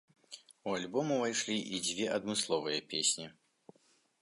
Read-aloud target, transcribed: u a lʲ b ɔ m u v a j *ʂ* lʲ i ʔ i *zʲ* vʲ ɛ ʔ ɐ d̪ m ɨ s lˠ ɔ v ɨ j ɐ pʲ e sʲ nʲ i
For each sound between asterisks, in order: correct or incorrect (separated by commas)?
correct, incorrect